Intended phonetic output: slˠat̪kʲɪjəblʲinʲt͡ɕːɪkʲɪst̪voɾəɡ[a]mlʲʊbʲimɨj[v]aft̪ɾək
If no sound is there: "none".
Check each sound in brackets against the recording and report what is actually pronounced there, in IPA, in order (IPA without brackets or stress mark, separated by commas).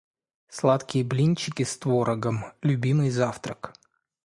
ə, z